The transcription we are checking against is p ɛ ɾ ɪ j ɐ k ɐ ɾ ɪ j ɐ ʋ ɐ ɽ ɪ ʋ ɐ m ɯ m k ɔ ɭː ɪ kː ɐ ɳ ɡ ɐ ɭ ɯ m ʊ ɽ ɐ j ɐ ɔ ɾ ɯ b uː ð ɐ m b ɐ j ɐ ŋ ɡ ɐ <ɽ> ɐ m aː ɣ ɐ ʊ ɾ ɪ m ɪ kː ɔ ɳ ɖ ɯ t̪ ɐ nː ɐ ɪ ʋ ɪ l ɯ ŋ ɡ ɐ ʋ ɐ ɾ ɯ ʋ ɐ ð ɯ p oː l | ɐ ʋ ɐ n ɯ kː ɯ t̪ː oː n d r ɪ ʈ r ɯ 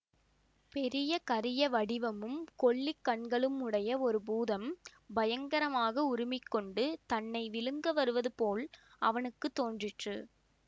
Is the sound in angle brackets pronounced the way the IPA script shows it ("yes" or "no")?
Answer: no